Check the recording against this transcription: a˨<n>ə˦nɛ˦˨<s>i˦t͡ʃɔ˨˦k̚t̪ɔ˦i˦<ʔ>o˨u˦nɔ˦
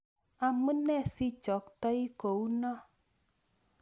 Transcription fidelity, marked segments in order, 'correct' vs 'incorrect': incorrect: m, correct, incorrect: k

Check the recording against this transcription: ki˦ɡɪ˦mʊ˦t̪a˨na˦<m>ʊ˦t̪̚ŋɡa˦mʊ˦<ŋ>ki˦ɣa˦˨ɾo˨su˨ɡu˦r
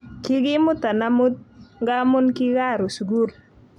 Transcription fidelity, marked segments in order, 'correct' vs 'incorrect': correct, incorrect: n

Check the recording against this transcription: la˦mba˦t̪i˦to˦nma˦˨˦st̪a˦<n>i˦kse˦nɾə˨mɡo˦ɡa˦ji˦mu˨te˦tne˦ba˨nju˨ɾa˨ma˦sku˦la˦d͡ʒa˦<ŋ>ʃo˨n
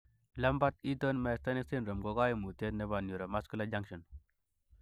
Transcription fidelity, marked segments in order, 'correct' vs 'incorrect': correct, correct

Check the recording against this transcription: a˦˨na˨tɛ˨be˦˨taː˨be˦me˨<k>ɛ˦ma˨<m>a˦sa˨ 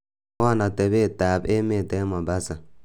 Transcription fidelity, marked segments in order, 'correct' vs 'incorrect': incorrect: t, incorrect: b

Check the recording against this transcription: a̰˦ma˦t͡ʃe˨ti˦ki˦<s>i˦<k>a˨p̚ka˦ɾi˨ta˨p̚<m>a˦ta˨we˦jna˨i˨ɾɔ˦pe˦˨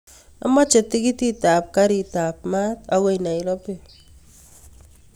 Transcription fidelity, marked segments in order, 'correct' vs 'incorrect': incorrect: t, incorrect: t, correct

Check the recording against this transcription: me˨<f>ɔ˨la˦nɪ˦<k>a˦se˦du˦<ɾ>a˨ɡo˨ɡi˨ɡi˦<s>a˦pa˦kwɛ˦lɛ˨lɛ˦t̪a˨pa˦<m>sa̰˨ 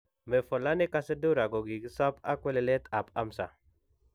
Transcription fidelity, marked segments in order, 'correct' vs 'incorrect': correct, correct, correct, correct, correct

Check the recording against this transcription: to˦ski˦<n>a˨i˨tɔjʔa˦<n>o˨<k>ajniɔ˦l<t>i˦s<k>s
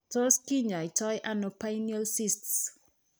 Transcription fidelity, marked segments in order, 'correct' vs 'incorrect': incorrect: ɲ, correct, incorrect: p, incorrect: s, incorrect: t

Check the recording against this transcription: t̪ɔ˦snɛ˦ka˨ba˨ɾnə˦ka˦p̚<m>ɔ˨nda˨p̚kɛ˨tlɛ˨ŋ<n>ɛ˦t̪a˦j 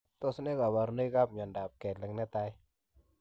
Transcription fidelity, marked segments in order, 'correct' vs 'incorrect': incorrect: ɲ, correct

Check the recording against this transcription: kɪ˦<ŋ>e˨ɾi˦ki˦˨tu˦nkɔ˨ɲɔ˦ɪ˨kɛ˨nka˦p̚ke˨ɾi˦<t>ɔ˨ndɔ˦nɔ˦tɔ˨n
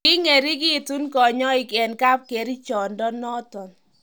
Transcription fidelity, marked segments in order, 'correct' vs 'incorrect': correct, incorrect: t͡ʃ

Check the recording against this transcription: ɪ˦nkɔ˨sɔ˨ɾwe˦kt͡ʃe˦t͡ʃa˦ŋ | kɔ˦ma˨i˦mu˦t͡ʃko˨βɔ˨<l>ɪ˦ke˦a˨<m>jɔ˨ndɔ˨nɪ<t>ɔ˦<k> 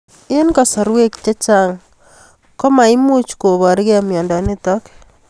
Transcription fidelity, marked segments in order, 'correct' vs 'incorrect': incorrect: ɾ, correct, correct, correct

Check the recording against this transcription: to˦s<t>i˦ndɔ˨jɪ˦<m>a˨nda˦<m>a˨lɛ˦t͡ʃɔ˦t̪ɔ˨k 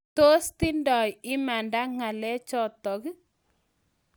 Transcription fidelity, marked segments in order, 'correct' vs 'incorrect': correct, correct, incorrect: ŋ

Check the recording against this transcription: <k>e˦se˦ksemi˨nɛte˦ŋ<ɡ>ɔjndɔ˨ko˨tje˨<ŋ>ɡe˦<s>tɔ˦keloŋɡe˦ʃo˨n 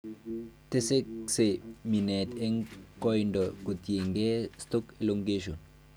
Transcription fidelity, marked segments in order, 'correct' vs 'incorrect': incorrect: t, incorrect: k, correct, correct

